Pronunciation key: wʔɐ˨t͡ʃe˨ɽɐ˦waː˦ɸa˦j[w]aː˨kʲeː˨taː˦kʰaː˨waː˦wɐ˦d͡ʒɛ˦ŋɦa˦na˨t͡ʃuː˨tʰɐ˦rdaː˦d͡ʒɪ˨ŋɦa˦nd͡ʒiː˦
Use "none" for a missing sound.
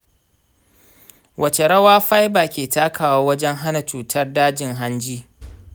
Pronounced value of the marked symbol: b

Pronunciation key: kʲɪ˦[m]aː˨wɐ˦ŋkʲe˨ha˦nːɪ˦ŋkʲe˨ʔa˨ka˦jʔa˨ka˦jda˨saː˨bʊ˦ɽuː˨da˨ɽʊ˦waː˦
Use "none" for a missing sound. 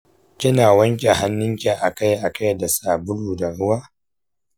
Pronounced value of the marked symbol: n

